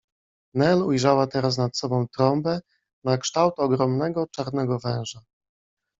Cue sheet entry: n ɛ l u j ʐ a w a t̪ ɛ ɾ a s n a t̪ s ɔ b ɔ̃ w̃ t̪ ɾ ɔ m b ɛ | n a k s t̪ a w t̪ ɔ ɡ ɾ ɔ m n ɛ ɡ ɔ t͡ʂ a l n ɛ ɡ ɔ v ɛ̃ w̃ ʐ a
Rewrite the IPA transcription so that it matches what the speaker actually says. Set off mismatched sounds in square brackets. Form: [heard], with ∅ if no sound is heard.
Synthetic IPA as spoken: n ɛ l u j ʐ a w a t̪ ɛ ɾ a s n a t̪ s ɔ b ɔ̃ w̃ t̪ ɾ ɔ m b ɛ | n a k [ʂ] t̪ a w t̪ ɔ ɡ ɾ ɔ m n ɛ ɡ ɔ t͡ʂ a [ɾ] n ɛ ɡ ɔ v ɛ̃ w̃ ʐ a